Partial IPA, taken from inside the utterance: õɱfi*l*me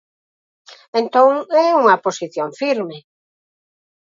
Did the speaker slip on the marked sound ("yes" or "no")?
yes